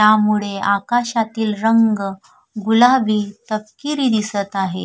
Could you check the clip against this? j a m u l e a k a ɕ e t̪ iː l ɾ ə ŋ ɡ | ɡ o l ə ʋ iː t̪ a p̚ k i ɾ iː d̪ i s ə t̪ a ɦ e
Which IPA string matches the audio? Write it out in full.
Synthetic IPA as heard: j a m u ɭ e a k a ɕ a t̪ iː l ɾ ə ŋ ɡ | ɡ u l a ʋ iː t̪ ə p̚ k i ɾ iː d̪ i s ə t̪ a ɦ e